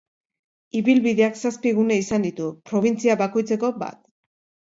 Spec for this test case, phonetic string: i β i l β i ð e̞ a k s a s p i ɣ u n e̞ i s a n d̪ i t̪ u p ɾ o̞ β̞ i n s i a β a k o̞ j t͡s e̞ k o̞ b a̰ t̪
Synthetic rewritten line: i β i l β i ð e̞ a k s a s p i ɣ u n e̞ i s a n d̪ i t̪ u p ɾ o̞ β̞ i n t͡s i a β a k o̞ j t͡s e̞ k o̞ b a̰ t̪